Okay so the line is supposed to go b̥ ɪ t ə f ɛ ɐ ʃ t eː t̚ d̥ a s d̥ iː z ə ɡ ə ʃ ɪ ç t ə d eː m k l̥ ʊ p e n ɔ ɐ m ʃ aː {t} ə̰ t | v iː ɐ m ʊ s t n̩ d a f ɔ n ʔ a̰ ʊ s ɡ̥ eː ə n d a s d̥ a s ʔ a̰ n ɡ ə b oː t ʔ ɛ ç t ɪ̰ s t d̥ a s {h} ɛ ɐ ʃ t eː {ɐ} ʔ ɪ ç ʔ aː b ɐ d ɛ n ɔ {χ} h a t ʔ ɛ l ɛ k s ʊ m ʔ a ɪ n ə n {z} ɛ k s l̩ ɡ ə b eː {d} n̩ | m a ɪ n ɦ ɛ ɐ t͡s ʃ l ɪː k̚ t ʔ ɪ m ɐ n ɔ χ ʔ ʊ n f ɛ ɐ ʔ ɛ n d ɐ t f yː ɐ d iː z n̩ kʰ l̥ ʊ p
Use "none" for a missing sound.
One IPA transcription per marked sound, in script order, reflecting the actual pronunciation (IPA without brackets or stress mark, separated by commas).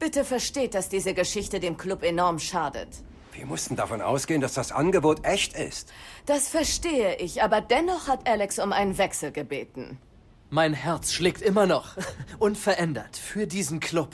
d, f, ə, χ, v, t